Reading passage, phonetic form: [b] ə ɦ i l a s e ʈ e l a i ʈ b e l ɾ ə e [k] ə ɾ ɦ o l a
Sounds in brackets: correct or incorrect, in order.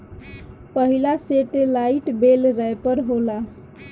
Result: incorrect: p, incorrect: p

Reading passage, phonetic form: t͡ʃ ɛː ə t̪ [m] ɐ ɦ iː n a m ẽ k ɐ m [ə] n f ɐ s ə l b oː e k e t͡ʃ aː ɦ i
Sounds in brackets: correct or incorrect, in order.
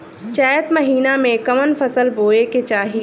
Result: correct, correct

